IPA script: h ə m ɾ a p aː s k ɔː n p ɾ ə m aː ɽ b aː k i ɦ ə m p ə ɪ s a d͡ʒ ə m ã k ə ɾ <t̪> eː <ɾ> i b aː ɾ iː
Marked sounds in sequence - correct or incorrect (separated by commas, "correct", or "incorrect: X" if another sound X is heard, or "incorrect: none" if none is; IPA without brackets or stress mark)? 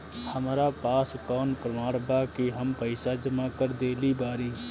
incorrect: d̪, incorrect: l